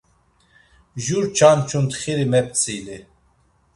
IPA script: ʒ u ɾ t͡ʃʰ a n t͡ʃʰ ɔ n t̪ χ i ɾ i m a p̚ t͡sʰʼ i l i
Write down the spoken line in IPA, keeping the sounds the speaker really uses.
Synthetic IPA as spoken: ʒ u ɾ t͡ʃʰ a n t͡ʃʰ u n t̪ χ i ɾ i m ɛ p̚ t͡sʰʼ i l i